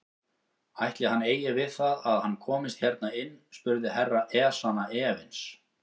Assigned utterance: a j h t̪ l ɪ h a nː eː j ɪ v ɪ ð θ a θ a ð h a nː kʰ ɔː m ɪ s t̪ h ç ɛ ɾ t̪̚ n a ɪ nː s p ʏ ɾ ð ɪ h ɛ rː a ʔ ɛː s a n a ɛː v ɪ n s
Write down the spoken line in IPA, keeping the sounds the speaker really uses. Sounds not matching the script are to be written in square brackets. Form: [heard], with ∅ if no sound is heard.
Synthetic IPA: a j h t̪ l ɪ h a nː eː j ɪ v ɪ ð θ a [ð] a ð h a nː kʰ ɔː m ɪ s t̪ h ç ɛ ɾ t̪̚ n a ɪ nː s p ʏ ɾ ð ɪ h ɛ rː a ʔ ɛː s a n a ɛː v ɪ n s

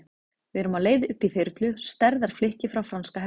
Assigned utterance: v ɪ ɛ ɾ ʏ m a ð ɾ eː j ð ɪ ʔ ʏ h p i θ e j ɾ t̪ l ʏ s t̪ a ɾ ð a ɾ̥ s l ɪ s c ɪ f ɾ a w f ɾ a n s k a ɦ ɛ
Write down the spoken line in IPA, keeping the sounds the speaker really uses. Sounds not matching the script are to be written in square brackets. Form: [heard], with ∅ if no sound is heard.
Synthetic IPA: v ɪ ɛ ɾ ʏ m a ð [l] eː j ð ɪ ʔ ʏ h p i θ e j ɾ t̪ l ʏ s t̪ [ɛ] ɾ ð a ɾ̥ [f] l ɪ [h] c ɪ f ɾ a w f ɾ a n s k a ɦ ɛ

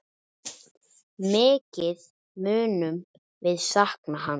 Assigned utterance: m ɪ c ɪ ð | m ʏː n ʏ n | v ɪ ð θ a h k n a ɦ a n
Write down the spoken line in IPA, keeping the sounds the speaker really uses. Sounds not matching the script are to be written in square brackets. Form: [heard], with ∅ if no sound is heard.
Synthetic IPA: m [ɪː] c ɪ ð | m ʏː n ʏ [m] | v ɪ ð [s] a h k n a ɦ a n

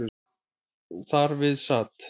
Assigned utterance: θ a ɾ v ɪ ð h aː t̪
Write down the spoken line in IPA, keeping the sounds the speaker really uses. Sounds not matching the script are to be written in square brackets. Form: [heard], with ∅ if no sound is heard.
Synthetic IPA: θ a ɾ v ɪ ð [s] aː t̪

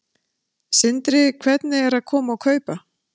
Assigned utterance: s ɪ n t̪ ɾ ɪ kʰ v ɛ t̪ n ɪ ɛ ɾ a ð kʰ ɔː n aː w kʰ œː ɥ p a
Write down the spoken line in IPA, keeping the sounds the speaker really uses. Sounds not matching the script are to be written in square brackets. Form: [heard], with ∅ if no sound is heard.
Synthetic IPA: s ɪ n t̪ ɾ ɪ kʰ v ɛ t̪ n ɪ ɛ ɾ a ð kʰ ɔː [m] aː w kʰ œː ɥ p a

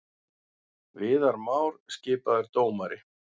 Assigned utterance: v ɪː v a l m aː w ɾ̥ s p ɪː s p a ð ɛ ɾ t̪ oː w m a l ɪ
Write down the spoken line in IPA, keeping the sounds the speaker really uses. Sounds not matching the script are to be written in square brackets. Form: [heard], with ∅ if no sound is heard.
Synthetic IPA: v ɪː [ð] a [ɾ] m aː w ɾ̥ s [c] ɪː [∅] p a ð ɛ ɾ t̪ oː w m a [ɾ] ɪ

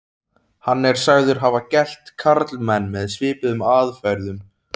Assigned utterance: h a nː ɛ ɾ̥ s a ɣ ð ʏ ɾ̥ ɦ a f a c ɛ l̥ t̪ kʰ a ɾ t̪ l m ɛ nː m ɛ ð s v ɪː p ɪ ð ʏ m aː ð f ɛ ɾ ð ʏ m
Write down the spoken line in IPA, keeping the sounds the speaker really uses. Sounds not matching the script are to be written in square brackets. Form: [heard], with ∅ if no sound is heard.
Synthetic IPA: h a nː ɛ ɾ̥ s a ɣ ð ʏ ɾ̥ ɦ a [v] a c ɛ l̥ t̪ kʰ a ɾ t̪ l m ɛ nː m ɛ ð s v ɪː p ɪ ð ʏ m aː ð f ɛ ɾ ð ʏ m

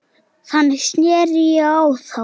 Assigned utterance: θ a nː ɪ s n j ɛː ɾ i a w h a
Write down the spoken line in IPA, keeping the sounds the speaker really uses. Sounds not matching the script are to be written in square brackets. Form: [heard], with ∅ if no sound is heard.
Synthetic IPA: θ a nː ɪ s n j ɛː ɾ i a w [θ] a

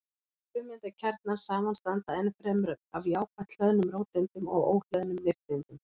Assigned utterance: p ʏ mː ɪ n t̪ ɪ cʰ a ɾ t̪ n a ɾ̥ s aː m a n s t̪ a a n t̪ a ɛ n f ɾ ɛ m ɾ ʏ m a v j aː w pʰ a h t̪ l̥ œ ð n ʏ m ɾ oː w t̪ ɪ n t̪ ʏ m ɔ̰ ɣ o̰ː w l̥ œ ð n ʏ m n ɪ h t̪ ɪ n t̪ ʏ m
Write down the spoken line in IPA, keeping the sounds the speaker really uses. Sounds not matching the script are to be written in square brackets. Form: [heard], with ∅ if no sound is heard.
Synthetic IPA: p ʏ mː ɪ n t̪ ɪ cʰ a ɾ t̪ n a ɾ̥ s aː m a n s t̪ a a n t̪ a ɛ n f ɾ ɛ m ɾ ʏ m a v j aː w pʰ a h t̪ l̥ œ ð n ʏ m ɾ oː w t̪ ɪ n t̪ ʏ m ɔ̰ ɣ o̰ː w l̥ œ ð n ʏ m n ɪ [f] t̪ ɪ n t̪ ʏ m

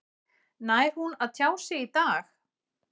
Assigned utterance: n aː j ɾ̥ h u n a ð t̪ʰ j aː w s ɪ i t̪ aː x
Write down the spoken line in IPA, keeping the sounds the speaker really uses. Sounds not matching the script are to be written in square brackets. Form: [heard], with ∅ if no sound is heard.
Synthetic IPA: n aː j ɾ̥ h u n a ð t̪ʰ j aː w s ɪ i t̪ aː x

